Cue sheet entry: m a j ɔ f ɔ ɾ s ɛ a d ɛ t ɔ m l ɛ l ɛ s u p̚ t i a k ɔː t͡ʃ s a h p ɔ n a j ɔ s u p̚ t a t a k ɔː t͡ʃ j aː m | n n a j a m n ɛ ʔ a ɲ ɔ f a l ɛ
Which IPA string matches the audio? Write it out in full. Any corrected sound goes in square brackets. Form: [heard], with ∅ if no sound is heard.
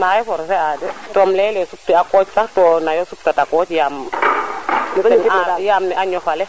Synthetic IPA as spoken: m a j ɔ f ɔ ɾ s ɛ a d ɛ t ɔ m l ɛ l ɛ s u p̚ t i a k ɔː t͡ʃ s a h [t] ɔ n a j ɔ s u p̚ t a t a k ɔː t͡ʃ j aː m | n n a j a m n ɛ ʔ a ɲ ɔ f a l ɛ